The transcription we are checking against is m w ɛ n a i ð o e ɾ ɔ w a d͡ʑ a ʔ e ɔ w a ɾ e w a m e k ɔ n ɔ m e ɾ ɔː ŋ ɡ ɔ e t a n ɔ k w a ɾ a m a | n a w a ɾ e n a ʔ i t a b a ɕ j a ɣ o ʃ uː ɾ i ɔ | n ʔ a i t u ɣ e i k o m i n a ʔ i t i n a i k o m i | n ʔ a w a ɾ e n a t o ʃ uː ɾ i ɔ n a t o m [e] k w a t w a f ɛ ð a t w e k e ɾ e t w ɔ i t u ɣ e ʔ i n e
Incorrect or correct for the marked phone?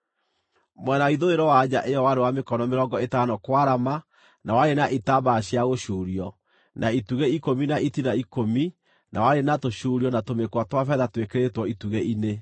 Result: correct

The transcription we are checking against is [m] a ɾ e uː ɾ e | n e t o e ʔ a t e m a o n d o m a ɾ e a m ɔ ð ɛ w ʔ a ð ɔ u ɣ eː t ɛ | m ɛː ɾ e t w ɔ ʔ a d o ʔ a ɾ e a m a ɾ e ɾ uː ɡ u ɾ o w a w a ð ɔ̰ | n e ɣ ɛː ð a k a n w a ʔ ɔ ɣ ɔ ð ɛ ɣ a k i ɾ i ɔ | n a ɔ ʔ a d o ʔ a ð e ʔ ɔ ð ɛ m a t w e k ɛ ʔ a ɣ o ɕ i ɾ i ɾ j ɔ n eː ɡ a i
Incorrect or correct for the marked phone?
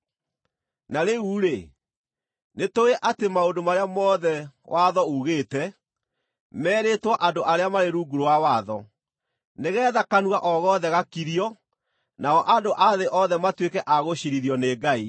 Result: incorrect: n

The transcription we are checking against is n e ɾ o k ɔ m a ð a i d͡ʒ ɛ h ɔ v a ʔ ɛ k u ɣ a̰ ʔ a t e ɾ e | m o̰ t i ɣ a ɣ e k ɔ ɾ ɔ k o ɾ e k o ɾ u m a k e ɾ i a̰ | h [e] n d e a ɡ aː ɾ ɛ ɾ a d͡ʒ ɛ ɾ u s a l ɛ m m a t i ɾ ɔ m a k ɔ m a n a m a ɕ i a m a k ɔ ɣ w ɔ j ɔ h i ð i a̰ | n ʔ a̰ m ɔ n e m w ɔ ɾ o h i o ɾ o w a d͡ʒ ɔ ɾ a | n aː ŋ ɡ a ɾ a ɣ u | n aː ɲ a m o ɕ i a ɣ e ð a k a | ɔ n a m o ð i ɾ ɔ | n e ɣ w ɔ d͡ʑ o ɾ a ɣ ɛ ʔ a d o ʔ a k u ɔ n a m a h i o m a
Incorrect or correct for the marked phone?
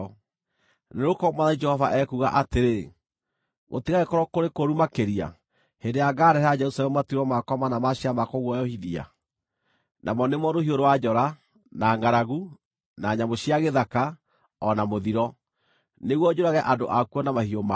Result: correct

